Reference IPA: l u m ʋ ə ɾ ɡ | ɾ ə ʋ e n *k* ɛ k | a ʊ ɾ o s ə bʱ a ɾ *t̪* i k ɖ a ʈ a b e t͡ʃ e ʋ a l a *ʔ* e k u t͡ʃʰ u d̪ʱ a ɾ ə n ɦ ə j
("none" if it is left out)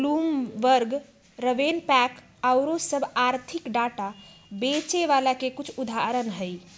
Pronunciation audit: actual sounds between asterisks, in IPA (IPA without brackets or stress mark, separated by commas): p, t̪ʰ, k